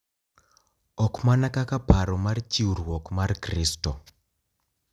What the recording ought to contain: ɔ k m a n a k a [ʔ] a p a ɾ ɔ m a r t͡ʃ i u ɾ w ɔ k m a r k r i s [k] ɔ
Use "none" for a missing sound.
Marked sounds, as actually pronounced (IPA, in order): k, t

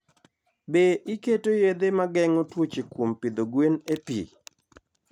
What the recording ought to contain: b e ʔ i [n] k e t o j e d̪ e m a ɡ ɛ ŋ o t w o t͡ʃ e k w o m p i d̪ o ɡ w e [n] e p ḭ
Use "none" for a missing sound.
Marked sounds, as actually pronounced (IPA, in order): none, n

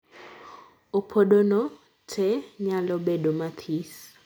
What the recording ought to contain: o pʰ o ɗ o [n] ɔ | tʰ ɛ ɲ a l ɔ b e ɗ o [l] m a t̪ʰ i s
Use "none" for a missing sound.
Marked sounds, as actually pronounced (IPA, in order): n, none

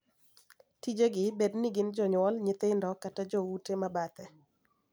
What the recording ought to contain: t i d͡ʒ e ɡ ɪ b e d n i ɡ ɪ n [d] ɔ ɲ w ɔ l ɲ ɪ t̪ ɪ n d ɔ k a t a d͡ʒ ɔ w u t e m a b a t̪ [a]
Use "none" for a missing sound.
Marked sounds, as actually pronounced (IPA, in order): d͡ʒ, ɛ

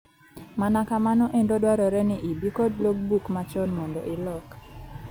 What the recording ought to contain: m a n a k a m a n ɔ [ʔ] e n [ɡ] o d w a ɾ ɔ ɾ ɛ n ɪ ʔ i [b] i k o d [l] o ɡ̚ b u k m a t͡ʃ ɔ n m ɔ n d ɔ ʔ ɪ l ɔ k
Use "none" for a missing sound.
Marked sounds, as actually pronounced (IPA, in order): ʔ, d, b, l

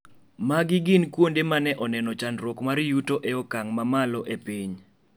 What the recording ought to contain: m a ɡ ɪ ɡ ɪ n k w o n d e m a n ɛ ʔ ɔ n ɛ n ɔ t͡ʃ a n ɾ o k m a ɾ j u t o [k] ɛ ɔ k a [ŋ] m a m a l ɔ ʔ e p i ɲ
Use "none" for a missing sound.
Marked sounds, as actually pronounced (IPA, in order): ʔ, ŋ

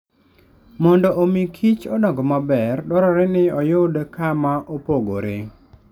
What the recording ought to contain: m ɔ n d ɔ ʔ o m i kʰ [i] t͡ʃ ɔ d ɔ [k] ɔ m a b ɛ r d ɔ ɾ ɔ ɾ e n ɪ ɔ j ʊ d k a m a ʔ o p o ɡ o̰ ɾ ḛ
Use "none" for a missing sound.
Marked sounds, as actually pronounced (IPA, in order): i, ɡ

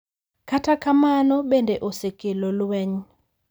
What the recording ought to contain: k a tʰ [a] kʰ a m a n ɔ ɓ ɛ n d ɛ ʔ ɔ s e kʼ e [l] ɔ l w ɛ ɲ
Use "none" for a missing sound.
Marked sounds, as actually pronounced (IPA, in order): a, l

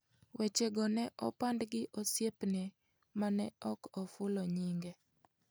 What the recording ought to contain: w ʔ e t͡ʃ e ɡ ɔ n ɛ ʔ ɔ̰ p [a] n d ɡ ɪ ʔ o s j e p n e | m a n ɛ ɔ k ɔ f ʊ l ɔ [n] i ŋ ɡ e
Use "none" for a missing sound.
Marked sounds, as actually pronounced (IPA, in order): a, ɲ

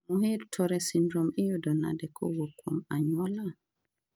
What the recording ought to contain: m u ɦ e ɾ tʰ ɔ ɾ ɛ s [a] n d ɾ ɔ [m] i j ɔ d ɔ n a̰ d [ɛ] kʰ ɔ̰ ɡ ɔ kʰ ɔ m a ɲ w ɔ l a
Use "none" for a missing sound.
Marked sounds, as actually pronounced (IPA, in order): i, m, ɛ

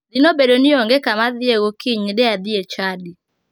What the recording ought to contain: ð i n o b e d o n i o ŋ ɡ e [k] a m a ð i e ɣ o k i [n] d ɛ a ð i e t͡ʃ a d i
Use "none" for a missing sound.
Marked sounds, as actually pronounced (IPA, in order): k, ɲ

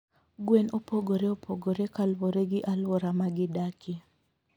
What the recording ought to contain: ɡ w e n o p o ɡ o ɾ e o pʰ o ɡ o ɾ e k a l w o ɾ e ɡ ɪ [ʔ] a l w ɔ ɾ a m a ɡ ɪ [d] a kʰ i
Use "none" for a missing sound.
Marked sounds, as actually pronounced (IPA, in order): ʔ, d

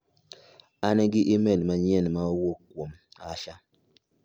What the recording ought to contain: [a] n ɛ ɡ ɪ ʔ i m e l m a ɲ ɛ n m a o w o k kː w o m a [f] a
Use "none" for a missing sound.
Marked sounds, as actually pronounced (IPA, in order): a, ʃ

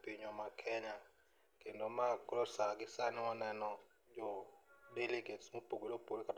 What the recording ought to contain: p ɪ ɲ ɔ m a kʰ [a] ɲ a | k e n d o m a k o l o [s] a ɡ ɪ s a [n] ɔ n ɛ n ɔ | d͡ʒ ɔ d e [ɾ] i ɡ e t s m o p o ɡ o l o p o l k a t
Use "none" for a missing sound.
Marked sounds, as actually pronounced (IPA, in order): ɛ, s, n, l

